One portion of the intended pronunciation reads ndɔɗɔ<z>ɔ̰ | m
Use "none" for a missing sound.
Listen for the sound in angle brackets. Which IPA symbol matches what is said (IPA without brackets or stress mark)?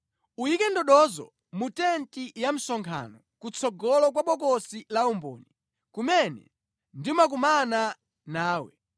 z